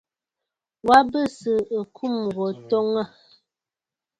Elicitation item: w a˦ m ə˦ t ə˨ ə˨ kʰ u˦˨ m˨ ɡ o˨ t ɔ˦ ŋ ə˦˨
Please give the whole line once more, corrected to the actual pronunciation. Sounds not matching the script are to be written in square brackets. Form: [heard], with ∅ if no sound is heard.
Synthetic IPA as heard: w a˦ [b] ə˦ [s] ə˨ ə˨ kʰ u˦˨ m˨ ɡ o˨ t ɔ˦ ŋ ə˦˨